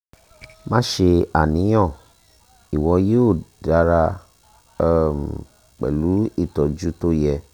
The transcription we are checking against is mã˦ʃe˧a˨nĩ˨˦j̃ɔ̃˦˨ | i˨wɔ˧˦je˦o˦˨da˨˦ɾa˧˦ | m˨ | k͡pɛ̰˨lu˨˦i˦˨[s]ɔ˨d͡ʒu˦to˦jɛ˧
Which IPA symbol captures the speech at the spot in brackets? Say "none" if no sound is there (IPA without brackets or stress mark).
t